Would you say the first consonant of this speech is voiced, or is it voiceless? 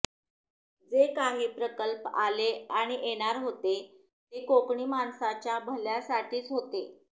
voiced